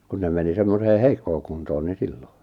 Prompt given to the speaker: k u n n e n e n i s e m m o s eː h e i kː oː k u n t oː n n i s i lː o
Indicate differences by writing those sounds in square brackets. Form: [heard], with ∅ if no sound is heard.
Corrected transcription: k u n n e [m] e n i s e m m o s eː h e i kː oː k u n t oː n n i s i lː o

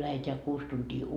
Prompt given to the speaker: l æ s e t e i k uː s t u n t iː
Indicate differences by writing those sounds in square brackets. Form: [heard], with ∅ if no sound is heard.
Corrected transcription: l æ [h] e t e [æ] k uː s t u n t iː

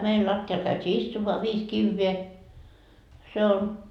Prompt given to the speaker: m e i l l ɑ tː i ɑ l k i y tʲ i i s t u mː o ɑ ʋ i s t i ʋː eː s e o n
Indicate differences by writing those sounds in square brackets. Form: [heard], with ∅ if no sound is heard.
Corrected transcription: m e i l l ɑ tː i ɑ l k [æ] y tʲ [iː] i s t u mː o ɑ ʋ [iː] s [k] i ʋː eː s e o n

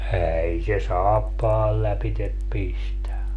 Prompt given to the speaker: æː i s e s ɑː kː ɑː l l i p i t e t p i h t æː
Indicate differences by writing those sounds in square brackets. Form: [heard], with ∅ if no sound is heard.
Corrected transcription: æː i s e s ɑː [pː] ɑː l l [æ] p i t e [p] p i [s] t [æ]

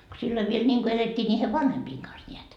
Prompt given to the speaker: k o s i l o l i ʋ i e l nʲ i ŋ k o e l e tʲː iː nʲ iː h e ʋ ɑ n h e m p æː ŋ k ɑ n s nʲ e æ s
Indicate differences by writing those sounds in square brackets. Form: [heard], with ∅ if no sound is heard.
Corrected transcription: k o s i [lː] o [∅] i ʋ i e l nʲ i ŋ k o e l e tʲː iː nʲ iː h e ʋ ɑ n h e m p [iː] ŋ k ɑ n s nʲ e æ [t]

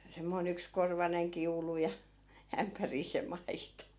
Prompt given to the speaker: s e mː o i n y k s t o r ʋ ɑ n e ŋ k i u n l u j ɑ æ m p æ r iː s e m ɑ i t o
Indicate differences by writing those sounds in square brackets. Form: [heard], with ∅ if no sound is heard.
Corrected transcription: s e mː o i n y k s [k] o r ʋ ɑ n e ŋ k i u [∅] l u j ɑ æ m p æ r iː s e m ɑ i t o

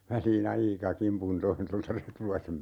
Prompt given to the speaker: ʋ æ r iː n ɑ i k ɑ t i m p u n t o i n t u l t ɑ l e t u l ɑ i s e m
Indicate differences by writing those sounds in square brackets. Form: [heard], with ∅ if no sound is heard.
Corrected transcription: ʋ æ [l] iː n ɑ i k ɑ [k] i m p u n t o i n t [o] l t ɑ [r] e t u l ɑ i s e m

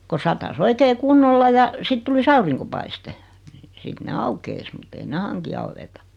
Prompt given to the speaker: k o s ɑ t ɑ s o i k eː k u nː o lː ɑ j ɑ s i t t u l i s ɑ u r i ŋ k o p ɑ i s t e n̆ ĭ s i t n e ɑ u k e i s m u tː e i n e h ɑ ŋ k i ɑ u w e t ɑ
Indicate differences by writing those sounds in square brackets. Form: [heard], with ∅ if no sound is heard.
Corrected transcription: k o s ɑ t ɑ s o i k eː k u nː o lː ɑ j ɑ s i t t u l i s ɑ u r i ŋ k o p ɑ i s t e n̆ ĭ s i t n e ɑ u k e i s m u tː e i n e h ɑ ŋ k i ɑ u w e t ɑ

